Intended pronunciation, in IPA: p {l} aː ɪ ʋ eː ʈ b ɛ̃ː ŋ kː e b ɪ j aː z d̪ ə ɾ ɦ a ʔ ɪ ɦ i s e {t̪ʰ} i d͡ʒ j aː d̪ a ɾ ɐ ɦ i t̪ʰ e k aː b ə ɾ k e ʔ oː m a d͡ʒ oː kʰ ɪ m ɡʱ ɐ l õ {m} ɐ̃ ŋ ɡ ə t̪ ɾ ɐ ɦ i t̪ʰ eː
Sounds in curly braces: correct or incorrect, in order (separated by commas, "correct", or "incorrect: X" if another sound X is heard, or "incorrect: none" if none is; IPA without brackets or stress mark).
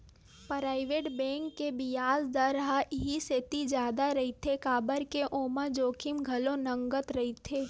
incorrect: ɾ, incorrect: t̪, incorrect: n